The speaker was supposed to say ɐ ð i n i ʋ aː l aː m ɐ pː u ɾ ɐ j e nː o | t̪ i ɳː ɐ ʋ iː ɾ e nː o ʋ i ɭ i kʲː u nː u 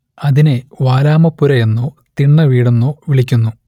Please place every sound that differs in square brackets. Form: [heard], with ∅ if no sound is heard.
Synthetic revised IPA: ɐ ð i n [e] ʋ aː l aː m ɐ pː u ɾ ɐ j e nː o | t̪ i ɳː ɐ ʋ iː [ɽ] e nː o ʋ i ɭ i kʲː u nː u